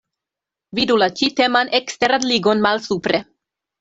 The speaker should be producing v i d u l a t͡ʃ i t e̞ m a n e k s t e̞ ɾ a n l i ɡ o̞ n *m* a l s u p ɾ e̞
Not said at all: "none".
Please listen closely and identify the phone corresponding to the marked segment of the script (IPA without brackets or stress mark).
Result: m